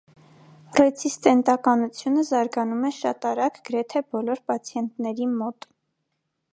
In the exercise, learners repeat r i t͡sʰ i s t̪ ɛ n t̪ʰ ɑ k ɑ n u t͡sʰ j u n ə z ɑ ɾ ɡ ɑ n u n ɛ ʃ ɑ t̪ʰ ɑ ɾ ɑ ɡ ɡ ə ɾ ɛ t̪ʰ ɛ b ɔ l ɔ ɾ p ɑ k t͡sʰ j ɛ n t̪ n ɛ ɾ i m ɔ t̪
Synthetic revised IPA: r ɛ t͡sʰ i s t̪ ɛ n t̪ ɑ k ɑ n u t͡sʰ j u n ə z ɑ ɾ ɡ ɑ n u m ɛ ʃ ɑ t̪ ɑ ɾ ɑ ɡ ɡ ə ɾ ɛ t̪ʰ ɛ b ɔ l ɔ ɾ p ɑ t͡sʰ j ɛ n t̪ n ɛ ɾ i m ɔ t̪